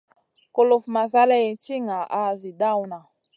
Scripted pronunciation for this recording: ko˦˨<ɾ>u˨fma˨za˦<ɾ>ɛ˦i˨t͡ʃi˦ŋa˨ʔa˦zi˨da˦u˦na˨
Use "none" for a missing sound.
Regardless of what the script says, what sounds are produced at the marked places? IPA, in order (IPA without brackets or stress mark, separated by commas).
l, l